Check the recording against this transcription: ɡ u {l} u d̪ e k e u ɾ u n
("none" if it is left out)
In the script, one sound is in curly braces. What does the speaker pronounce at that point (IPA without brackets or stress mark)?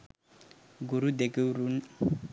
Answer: ɾ